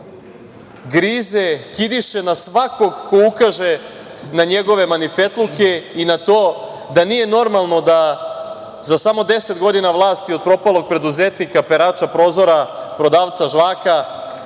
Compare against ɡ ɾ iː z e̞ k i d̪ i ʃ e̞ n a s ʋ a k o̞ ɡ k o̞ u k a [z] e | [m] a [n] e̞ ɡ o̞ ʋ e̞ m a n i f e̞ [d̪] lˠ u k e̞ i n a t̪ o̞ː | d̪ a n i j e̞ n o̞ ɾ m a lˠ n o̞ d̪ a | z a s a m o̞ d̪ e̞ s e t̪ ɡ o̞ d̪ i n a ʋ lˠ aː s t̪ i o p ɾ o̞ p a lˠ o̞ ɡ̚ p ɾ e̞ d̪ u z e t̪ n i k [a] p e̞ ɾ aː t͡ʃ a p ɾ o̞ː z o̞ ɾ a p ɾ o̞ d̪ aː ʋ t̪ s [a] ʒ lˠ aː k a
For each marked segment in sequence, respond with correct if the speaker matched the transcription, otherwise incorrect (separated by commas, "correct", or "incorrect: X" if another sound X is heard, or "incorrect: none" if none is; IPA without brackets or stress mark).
incorrect: ʒ, incorrect: n, incorrect: ɲ, incorrect: t̪, correct, correct